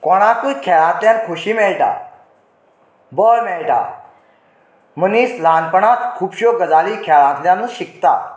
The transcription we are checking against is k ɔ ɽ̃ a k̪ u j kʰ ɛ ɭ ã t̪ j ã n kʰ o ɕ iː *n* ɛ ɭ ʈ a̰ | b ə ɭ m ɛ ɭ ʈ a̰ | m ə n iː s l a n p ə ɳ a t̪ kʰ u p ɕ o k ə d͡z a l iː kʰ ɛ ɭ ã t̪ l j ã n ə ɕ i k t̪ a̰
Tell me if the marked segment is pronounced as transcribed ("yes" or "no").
no